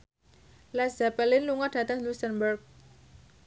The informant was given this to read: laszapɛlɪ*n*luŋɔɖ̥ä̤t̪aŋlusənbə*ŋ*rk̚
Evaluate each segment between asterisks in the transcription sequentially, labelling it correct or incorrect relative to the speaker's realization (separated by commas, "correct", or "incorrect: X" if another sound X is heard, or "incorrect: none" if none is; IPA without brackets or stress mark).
correct, incorrect: none